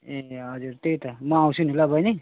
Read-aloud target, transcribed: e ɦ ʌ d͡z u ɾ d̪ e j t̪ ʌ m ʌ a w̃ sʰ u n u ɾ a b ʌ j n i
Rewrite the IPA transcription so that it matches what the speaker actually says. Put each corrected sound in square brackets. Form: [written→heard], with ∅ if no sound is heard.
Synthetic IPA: e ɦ ʌ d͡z u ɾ [d̪→t̪] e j t̪ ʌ m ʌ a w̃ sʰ u n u [ɾ→l] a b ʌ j n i